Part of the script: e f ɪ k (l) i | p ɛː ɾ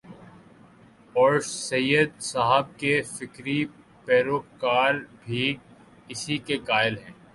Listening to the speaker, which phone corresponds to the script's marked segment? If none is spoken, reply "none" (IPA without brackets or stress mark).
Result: ɾ